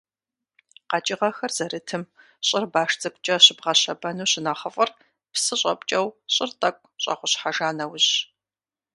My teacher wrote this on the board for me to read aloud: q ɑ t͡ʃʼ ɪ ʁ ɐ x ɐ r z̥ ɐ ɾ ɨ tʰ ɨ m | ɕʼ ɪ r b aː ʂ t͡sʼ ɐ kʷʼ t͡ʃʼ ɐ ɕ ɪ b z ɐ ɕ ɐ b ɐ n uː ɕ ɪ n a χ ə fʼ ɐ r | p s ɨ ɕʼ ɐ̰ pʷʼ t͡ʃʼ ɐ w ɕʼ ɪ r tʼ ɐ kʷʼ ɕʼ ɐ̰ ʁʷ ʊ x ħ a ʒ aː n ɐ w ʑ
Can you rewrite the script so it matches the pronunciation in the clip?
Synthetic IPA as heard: q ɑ t͡ʃʼ ɪ ʁ ɐ x ɐ r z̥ ɐ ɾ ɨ tʰ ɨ m | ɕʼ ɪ r b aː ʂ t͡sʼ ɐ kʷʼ t͡ʃʼ ɐ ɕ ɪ b ʁ ɐ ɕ ɐ b ɐ n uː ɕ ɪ n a χ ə fʼ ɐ r | p s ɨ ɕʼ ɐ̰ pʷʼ t͡ʃʼ ɐ w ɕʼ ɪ r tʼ ɐ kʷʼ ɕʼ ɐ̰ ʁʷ ʊ ɕ ħ a ʒ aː n ɐ w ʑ